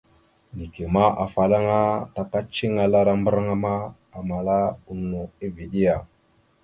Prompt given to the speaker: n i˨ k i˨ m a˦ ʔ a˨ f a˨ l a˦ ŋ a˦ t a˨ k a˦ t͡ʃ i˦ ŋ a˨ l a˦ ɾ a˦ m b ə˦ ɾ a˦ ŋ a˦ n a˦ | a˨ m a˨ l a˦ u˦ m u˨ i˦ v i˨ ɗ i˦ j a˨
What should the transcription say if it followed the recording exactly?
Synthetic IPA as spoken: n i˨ k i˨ m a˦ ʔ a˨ f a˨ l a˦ ŋ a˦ t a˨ k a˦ t͡ʃ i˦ ŋ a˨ l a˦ ɾ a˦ m b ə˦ ɾ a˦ ŋ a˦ m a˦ | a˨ m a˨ l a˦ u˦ n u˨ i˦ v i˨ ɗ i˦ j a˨